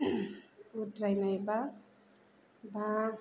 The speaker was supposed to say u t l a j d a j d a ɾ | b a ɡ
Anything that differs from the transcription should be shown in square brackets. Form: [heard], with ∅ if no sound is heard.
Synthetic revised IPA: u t [ɾ] a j [n] a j [b] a [∅] | b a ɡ